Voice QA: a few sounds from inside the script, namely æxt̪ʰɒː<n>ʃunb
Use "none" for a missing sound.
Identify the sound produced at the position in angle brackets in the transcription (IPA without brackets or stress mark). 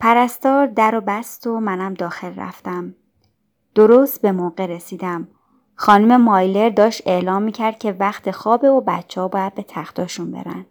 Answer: none